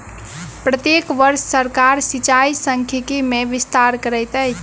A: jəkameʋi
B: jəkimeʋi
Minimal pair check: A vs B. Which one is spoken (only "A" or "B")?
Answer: B